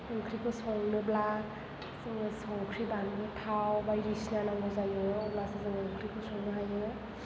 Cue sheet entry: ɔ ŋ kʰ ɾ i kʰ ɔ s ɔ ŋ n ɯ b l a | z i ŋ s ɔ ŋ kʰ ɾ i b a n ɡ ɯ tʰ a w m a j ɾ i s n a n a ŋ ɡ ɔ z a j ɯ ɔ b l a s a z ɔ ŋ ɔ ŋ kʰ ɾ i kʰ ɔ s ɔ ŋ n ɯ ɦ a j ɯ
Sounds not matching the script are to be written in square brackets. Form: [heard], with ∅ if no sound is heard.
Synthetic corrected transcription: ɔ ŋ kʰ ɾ i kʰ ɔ s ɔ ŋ n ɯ b l a | [s] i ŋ s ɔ ŋ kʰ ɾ i b a n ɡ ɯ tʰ a w [b] a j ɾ i s n a n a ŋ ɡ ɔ z a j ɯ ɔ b l a s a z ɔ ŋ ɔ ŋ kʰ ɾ i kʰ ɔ s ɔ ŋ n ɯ ɦ a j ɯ